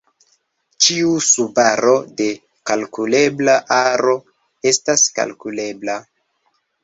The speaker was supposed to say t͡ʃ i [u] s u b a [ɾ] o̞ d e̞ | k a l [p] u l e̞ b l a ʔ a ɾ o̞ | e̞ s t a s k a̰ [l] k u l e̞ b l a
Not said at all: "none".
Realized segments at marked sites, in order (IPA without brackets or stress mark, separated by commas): u, ɾ, k, l